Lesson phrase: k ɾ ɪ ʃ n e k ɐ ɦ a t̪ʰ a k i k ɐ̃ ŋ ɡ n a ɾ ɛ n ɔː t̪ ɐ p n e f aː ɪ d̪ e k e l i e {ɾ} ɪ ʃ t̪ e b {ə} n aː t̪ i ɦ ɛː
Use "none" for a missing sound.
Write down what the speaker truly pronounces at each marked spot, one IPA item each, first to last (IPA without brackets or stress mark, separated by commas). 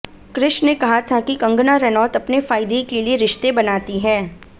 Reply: ɾ, ɐ